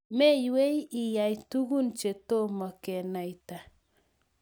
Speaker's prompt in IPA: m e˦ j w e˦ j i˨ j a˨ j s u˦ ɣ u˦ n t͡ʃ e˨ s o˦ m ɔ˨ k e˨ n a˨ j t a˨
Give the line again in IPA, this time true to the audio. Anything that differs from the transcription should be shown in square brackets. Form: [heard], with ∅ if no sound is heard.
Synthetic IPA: m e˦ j w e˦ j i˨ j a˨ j [t] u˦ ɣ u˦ n t͡ʃ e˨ [t] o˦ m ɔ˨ k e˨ n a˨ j t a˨